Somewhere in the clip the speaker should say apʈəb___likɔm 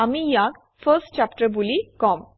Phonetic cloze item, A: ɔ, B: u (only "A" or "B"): B